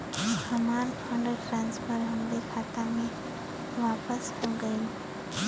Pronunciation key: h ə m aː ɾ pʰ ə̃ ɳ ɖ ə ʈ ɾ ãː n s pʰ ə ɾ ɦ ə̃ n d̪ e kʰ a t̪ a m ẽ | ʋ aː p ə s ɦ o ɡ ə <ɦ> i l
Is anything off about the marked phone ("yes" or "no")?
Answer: yes